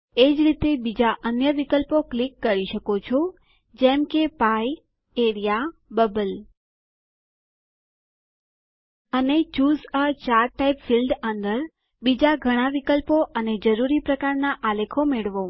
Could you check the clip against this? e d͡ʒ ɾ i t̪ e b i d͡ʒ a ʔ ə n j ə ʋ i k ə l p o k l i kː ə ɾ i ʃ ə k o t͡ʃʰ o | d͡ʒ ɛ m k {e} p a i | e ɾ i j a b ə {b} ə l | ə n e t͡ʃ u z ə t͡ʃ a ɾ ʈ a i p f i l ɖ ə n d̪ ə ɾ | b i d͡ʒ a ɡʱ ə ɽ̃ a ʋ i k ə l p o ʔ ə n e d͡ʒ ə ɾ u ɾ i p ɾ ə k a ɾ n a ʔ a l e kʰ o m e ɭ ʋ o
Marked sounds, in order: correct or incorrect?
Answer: correct, correct

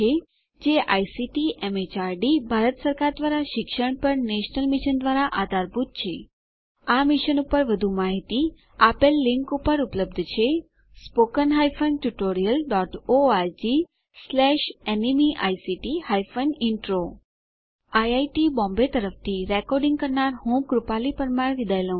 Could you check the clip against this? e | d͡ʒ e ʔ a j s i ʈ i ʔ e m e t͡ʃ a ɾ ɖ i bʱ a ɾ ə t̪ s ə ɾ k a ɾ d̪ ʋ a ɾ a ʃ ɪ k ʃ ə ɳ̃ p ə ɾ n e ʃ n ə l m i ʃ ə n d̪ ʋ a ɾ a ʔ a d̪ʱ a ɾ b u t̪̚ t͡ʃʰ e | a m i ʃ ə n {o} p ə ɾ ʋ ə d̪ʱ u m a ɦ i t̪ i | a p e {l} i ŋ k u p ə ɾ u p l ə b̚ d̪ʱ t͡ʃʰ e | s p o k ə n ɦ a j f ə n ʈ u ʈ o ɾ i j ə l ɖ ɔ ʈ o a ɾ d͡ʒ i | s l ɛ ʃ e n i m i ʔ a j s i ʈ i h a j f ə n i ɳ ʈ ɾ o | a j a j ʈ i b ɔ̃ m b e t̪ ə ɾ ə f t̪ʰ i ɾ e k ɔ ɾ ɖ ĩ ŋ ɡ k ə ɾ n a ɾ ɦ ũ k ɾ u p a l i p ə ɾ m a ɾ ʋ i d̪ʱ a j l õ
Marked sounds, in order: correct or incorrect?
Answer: incorrect, incorrect

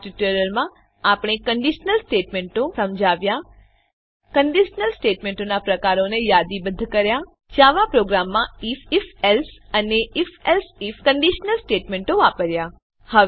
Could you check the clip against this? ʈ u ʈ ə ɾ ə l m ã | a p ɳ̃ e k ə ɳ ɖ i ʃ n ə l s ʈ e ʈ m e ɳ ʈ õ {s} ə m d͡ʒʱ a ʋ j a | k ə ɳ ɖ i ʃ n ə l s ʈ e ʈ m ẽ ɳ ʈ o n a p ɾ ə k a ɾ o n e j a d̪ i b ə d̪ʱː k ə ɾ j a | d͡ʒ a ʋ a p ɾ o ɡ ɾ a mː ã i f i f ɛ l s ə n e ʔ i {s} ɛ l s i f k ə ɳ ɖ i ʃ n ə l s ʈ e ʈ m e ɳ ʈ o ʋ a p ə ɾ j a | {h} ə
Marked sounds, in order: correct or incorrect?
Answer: correct, incorrect, correct

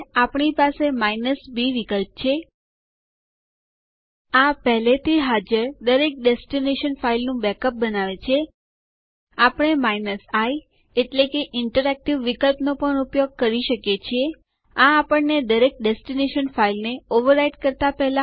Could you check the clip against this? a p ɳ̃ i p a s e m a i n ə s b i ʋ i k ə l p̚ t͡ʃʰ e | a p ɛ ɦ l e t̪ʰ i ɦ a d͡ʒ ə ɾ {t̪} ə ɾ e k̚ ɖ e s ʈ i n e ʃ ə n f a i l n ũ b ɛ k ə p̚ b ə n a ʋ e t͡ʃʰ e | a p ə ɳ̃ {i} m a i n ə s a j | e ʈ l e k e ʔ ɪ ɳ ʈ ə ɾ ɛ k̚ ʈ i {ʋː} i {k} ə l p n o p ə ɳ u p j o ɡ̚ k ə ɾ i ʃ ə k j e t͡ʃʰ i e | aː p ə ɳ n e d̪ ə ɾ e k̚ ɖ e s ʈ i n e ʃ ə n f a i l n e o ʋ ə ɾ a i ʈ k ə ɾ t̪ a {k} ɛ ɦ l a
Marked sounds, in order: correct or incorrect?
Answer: incorrect, incorrect, correct, correct, incorrect

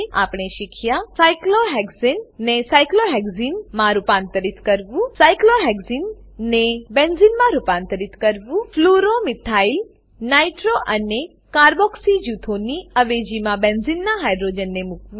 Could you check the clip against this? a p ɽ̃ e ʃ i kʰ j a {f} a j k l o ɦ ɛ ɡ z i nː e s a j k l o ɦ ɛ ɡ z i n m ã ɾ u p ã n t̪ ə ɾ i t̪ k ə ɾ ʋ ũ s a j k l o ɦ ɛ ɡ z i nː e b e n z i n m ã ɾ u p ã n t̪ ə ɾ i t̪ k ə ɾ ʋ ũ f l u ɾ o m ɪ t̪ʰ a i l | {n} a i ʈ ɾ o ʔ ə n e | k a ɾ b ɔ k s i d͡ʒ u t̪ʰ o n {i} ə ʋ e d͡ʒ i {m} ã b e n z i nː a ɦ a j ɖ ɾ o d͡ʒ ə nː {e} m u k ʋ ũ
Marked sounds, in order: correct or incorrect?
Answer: incorrect, correct, correct, correct, correct

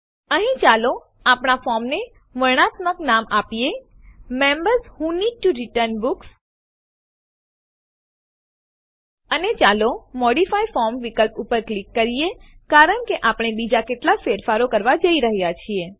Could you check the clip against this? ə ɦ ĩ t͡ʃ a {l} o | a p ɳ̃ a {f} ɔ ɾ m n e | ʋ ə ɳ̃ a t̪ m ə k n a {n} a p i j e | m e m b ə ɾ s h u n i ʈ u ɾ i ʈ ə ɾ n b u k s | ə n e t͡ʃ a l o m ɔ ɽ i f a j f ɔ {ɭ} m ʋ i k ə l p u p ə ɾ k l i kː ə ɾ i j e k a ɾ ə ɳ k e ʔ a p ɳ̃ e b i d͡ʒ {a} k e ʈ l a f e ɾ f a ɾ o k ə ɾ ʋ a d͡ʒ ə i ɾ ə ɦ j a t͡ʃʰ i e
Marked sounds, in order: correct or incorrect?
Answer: correct, correct, incorrect, incorrect, correct

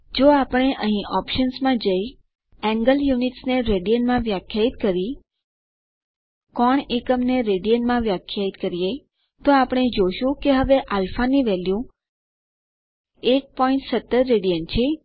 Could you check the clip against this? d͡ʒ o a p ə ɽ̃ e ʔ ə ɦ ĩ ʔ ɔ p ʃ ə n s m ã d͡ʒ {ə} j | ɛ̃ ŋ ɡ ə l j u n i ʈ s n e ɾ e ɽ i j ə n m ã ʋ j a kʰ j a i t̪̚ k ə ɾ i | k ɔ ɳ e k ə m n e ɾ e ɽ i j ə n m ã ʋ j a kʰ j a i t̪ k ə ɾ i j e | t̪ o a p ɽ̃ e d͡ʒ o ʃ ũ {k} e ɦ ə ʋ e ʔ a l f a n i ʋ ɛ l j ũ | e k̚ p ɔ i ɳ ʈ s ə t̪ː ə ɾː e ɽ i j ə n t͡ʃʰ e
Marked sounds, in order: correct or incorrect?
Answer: correct, correct

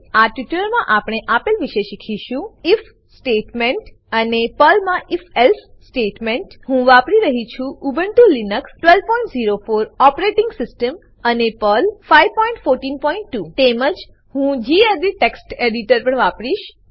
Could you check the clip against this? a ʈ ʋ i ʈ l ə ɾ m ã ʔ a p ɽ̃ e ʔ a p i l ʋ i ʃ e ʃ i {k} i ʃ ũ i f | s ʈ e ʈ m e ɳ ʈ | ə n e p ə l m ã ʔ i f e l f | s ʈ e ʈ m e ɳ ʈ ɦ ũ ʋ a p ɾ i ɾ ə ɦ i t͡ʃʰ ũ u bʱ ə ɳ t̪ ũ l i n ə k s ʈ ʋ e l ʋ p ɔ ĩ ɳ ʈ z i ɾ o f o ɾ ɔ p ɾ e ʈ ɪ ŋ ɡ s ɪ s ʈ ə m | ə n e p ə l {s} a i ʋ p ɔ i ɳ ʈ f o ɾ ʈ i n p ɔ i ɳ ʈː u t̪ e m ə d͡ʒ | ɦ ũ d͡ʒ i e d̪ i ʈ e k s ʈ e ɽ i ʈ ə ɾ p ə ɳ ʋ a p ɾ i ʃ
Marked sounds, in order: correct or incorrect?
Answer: incorrect, incorrect

